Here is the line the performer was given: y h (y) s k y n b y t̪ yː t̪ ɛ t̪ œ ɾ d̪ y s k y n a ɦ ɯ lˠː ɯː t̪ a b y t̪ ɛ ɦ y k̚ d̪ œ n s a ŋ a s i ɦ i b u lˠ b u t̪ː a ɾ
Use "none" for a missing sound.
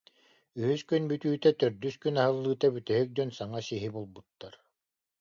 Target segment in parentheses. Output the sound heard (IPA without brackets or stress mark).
y